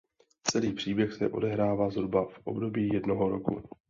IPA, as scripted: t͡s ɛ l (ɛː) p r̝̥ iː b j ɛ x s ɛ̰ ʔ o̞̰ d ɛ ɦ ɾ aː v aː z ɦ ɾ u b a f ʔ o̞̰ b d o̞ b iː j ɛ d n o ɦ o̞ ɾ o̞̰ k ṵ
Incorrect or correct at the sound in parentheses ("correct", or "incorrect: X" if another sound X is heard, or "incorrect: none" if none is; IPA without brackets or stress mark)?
incorrect: iː